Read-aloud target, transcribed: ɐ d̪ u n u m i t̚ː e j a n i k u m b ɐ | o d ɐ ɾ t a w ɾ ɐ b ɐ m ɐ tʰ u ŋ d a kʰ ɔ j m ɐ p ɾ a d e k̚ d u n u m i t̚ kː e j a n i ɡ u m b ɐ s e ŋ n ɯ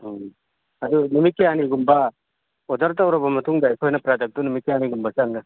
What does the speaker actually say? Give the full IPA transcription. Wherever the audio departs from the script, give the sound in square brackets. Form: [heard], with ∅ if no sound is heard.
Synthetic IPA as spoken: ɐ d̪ u n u m i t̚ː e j a n i [ɡ] u m b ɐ | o d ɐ ɾ t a w ɾ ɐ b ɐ m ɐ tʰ u ŋ d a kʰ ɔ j [n] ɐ p ɾ a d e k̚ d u n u m i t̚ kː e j a n i ɡ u m b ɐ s [a] ŋ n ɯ